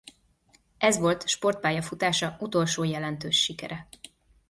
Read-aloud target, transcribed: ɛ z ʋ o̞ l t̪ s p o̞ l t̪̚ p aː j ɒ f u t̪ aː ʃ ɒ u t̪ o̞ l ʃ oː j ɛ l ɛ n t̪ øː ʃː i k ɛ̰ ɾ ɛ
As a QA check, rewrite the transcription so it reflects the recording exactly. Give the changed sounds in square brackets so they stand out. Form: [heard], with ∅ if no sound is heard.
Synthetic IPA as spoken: ɛ z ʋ o̞ l t̪ [ʃ] p o̞ [r] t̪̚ p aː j ɒ f u t̪ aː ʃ ɒ u t̪ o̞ l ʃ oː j ɛ l ɛ n t̪ øː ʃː i k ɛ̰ ɾ ɛ